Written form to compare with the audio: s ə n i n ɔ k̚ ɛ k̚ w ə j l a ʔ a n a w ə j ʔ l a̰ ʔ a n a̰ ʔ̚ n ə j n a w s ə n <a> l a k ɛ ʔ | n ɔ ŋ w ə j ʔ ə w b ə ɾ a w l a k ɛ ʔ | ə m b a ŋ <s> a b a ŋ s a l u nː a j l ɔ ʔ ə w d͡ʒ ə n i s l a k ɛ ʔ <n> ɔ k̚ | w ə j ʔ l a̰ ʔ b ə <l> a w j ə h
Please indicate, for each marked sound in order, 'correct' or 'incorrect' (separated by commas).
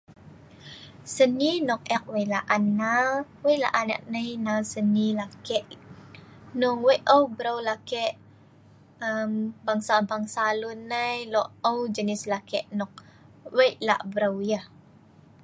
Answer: incorrect, correct, correct, incorrect